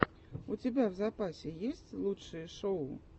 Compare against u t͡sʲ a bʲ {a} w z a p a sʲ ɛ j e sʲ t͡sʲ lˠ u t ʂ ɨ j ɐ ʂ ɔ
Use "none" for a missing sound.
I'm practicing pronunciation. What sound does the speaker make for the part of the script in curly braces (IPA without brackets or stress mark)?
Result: a